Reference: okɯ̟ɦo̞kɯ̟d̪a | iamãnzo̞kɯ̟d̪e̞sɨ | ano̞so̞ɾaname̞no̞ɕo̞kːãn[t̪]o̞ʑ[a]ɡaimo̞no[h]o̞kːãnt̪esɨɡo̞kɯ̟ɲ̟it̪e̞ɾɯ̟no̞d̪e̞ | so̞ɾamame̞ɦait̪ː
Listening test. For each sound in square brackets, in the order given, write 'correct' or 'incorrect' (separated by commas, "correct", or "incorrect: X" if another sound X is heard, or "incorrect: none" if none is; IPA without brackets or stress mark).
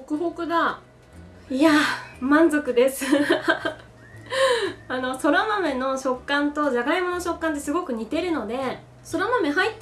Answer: correct, correct, incorrect: ɕ